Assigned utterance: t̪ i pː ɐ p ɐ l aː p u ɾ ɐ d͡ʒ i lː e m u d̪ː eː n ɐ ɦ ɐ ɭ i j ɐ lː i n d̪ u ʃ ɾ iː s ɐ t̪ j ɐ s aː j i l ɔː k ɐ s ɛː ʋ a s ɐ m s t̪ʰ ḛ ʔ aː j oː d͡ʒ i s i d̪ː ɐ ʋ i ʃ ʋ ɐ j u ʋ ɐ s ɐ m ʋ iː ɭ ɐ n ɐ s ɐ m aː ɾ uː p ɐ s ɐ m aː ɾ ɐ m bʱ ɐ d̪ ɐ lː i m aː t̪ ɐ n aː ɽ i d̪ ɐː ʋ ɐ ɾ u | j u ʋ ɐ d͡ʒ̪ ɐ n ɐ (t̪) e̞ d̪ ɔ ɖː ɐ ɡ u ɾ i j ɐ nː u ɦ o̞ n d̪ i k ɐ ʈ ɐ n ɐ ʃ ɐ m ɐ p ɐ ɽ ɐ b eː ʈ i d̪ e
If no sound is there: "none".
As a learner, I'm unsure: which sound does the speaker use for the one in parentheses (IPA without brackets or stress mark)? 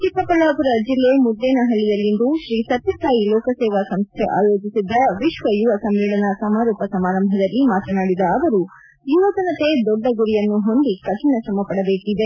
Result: t̪